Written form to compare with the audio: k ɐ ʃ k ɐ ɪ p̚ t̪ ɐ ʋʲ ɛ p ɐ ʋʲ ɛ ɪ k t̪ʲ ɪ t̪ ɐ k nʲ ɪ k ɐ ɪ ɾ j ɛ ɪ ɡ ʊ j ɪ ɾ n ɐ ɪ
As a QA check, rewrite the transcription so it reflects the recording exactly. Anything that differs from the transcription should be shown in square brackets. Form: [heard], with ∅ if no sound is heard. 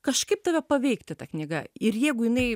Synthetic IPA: k ɐ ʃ k ɐ ɪ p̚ t̪ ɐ ʋʲ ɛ p ɐ ʋʲ ɛ ɪ k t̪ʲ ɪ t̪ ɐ k nʲ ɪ [ɡ] ɐ ɪ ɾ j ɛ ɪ ɡ ʊ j ɪ [∅] n ɐ ɪ